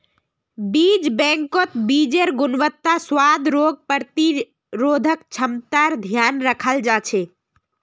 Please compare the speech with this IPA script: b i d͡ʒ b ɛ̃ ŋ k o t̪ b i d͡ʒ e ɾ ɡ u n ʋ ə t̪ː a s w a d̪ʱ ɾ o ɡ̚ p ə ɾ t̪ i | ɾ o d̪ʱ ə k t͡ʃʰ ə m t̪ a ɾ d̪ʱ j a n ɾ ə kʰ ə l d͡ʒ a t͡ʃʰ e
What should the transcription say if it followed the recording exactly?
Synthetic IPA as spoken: b i d͡ʒ b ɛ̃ ŋ k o t̪ b i d͡ʒ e ɾ ɡ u n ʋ ə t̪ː a s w a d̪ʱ ɾ o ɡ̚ p ə ɾ t̪ i | ɾ o d̪ʱ ə k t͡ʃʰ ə m t̪ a ɾ d̪ʱ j a n ɾ ə kʰ ə l d͡ʒ a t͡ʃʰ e